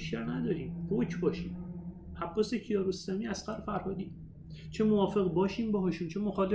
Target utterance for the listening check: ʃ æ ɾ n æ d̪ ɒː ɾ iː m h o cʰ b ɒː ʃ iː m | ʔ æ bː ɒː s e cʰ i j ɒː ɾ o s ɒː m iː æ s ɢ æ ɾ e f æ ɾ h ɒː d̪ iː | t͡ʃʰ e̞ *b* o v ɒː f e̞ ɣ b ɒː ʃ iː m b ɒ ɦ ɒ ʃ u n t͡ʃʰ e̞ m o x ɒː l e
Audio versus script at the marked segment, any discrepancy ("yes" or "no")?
yes